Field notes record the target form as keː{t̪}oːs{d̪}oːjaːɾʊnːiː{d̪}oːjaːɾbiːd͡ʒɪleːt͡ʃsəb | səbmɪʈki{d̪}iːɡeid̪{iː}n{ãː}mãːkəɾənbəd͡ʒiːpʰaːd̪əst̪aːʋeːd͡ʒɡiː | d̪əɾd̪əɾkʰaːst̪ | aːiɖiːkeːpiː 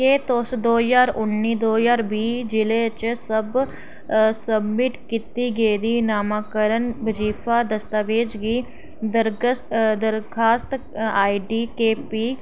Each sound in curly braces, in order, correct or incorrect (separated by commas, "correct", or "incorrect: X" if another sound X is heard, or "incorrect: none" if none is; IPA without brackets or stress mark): correct, correct, correct, incorrect: t̪, correct, incorrect: aː